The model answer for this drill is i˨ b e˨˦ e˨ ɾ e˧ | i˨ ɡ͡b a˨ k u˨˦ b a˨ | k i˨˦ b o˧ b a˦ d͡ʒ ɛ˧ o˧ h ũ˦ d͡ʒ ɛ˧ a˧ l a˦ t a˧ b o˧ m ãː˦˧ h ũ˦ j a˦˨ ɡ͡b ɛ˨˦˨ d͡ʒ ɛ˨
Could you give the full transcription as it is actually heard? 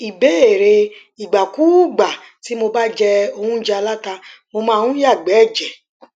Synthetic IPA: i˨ b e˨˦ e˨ ɾ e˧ | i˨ ɡ͡b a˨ k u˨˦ ɡ͡b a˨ | t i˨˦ m o˧ b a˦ d͡ʒ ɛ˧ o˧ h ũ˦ d͡ʒ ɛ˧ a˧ l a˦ t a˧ m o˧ m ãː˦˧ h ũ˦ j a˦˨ ɡ͡b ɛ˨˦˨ d͡ʒ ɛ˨